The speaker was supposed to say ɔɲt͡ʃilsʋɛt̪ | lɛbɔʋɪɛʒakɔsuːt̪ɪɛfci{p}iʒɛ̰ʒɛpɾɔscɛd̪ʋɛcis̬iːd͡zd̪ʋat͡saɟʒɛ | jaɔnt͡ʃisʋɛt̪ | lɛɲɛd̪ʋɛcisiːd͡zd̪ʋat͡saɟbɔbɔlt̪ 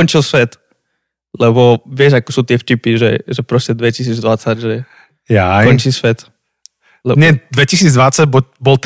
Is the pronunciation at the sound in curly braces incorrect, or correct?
correct